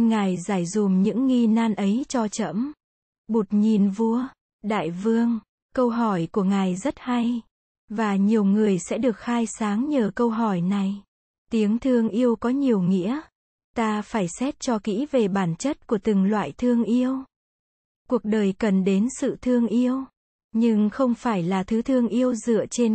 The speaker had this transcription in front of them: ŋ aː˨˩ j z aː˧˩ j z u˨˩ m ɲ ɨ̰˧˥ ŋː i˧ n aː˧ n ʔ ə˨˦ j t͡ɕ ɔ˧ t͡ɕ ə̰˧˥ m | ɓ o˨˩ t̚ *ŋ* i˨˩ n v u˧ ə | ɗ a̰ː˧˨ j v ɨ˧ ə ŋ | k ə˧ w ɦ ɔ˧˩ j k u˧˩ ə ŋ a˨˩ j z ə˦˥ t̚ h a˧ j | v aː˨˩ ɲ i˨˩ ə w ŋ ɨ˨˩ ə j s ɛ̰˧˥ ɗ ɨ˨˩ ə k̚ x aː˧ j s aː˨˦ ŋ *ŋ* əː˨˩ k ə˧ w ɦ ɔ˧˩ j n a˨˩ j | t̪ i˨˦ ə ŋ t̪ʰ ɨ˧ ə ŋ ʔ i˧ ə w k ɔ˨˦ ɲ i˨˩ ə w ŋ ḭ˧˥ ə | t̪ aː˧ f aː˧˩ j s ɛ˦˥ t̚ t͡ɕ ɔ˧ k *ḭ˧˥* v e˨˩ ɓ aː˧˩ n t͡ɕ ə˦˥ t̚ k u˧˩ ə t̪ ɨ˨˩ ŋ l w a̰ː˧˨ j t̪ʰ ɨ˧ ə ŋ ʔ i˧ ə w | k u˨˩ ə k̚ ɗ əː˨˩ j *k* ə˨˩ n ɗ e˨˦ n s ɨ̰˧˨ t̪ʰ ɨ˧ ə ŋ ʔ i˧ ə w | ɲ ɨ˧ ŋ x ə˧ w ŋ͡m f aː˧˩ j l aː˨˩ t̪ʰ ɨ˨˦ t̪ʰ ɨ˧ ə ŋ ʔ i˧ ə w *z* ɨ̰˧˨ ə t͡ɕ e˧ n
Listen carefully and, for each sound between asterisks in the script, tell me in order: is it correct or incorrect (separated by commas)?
incorrect, incorrect, correct, correct, correct